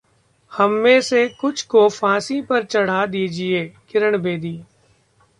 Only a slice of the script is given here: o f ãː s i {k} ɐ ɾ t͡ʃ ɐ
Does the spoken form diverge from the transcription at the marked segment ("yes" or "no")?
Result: yes